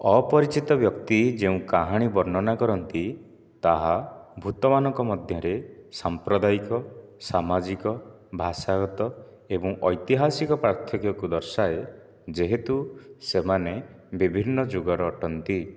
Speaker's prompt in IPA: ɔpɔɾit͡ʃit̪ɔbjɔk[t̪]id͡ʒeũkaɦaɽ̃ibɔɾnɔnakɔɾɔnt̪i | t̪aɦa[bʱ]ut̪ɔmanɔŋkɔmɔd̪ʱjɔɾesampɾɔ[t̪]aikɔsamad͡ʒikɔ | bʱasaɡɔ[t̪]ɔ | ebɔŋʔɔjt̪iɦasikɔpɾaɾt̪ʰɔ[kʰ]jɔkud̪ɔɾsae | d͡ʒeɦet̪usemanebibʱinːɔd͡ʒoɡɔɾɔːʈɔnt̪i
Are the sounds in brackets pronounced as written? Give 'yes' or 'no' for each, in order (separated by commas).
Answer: yes, yes, no, yes, no